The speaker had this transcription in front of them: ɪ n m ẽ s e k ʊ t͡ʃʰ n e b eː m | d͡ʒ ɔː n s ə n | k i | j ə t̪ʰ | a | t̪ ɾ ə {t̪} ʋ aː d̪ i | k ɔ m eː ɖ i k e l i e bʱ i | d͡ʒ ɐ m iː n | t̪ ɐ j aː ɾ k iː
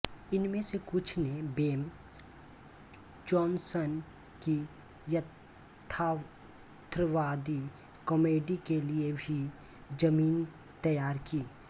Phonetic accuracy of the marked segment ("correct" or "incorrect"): incorrect